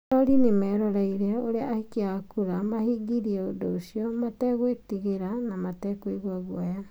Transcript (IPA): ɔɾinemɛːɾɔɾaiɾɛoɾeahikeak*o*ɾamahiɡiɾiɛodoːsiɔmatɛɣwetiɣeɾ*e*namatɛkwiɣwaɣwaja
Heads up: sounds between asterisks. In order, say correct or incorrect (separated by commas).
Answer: incorrect, incorrect